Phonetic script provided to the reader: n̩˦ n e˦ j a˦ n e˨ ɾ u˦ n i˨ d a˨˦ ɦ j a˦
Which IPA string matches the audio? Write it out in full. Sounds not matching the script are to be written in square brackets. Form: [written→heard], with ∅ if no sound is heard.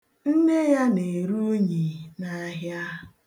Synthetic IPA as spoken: n̩˦ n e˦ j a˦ n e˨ ɾ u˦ [n→ɲ] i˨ [d→n] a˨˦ ɦ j a˦